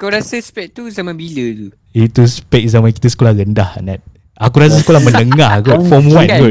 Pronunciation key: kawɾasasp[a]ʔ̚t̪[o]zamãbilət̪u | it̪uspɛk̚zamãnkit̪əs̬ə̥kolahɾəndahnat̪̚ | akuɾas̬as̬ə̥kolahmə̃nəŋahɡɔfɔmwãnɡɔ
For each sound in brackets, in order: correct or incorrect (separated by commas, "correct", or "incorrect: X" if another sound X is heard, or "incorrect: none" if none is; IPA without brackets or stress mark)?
incorrect: ɛ, incorrect: u